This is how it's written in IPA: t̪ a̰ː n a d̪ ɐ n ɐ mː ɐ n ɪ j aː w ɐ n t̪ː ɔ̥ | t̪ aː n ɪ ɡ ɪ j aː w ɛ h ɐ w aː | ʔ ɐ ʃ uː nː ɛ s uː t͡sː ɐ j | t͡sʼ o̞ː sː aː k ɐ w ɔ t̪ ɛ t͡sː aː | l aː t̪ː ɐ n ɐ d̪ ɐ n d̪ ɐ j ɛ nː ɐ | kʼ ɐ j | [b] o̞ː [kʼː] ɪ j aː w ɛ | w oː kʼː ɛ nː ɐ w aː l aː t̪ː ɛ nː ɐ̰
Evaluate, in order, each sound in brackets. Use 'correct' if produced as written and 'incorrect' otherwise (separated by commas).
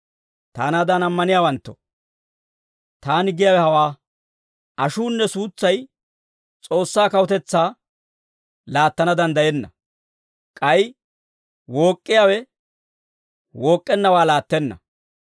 incorrect, correct